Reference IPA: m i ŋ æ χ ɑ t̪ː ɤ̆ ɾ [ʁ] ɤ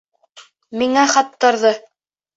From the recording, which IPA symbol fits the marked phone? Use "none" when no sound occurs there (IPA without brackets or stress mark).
ð